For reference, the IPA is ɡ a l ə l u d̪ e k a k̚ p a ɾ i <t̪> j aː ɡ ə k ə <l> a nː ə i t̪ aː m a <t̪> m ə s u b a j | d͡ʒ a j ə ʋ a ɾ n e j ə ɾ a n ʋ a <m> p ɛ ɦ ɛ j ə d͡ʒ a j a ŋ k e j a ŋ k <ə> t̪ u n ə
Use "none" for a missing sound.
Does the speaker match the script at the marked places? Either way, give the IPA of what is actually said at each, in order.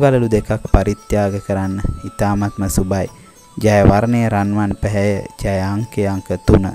t̪, ɾ, t̪, n, ə

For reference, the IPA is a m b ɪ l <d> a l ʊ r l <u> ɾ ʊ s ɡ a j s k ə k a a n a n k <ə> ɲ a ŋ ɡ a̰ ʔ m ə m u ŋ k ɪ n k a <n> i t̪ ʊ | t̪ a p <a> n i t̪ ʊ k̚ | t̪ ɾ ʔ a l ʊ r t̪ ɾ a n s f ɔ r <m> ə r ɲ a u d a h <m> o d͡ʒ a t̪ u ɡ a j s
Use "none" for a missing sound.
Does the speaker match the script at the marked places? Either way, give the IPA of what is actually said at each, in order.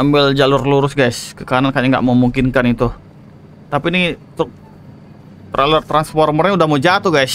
d͡ʒ, u, a, n, i, m, m

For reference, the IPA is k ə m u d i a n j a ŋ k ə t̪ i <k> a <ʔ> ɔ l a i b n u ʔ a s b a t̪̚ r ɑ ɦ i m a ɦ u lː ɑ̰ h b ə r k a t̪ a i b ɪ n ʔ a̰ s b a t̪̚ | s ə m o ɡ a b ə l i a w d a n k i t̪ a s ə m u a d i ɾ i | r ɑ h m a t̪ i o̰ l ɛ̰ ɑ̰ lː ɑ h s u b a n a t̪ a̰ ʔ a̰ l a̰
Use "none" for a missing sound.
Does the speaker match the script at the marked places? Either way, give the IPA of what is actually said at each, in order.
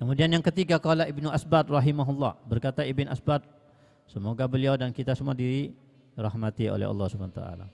ɡ, k

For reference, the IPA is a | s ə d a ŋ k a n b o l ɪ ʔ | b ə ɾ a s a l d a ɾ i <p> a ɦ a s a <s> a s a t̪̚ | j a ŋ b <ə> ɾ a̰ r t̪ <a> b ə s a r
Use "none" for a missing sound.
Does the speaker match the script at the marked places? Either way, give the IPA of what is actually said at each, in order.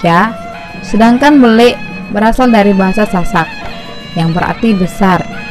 b, s, ə, i

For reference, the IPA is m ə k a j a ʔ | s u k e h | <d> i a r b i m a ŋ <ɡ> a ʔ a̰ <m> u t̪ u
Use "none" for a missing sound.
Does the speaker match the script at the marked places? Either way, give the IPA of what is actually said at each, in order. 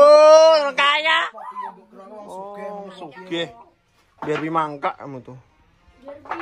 b, k, m

